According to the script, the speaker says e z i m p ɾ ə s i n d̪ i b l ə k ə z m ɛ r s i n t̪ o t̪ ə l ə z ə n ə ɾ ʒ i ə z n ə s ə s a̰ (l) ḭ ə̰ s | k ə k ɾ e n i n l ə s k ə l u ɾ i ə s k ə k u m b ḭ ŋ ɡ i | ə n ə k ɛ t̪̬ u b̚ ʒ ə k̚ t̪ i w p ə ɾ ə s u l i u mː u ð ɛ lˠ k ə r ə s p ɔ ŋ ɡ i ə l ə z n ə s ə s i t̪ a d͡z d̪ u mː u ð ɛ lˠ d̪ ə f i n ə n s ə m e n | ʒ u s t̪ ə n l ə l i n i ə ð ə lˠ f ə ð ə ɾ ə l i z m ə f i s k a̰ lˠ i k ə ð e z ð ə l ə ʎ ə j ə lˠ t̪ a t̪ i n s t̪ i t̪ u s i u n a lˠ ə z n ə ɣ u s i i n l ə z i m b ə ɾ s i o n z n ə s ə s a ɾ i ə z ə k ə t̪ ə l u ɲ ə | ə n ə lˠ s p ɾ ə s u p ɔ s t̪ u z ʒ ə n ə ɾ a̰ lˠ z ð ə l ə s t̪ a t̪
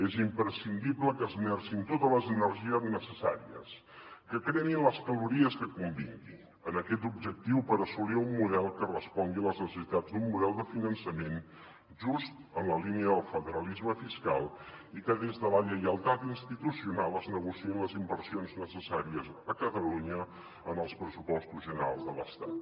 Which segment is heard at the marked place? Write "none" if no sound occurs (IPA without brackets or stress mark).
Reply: ɾ